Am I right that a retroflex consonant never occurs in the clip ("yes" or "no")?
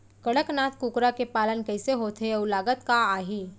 no